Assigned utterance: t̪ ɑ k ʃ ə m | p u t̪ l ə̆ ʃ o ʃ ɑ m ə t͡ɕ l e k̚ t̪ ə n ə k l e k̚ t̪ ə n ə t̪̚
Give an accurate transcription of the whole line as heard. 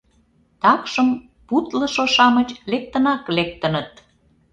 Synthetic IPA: t̪ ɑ k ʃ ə m | p u t̪ l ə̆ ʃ o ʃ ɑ m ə t͡ɕ l e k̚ t̪ ə n ɑ k l e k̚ t̪ ə n ə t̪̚